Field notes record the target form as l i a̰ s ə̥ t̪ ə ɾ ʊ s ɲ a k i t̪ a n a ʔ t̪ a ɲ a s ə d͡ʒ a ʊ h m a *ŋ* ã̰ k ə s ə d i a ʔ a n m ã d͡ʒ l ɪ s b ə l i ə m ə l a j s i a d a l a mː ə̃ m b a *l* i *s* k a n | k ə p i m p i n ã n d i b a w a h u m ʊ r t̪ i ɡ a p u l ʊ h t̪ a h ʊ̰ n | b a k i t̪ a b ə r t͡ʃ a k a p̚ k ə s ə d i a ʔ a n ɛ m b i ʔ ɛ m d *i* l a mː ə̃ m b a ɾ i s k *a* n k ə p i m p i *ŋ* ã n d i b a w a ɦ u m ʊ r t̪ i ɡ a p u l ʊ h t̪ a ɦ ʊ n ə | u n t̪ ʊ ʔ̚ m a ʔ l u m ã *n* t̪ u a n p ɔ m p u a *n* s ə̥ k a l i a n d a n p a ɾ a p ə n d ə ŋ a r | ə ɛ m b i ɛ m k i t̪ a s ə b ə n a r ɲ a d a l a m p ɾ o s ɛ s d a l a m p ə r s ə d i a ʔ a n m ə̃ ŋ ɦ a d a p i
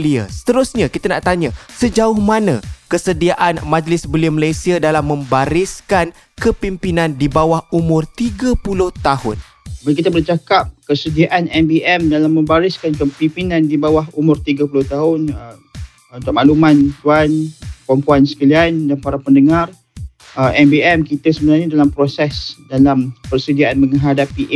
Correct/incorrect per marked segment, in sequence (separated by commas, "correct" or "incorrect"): incorrect, incorrect, correct, incorrect, correct, incorrect, correct, correct